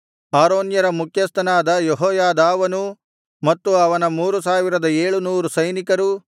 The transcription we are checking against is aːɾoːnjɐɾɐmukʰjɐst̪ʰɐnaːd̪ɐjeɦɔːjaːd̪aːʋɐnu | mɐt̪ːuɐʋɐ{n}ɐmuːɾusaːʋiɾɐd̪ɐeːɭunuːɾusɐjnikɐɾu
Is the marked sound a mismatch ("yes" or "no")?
no